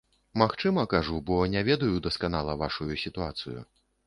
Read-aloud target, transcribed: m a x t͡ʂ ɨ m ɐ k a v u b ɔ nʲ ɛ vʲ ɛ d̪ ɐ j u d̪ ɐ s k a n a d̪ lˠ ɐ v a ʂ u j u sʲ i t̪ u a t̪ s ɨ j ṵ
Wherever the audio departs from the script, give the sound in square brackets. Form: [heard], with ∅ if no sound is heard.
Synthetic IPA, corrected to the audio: m a x t͡ʂ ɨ m ɐ k a [ʐ] u b ɔ nʲ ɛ vʲ ɛ d̪ ɐ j u d̪ ɐ s k a n a [∅] lˠ ɐ v a ʂ u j u sʲ i t̪ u a t̪ s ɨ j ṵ